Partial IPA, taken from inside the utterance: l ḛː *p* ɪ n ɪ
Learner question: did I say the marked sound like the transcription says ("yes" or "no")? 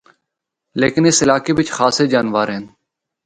no